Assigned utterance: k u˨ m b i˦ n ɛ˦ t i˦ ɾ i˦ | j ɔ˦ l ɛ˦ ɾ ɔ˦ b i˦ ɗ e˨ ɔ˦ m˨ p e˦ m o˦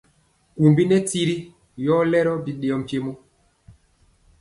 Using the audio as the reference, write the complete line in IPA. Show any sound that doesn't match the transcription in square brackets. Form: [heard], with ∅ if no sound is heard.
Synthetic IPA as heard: k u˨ m b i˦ n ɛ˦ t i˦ ɾ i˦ | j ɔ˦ l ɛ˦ ɾ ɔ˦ b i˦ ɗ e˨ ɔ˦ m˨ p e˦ m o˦